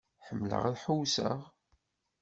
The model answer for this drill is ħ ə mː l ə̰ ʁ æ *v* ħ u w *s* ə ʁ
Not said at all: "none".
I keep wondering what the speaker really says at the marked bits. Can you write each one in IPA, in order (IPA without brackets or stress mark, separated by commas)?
ð, s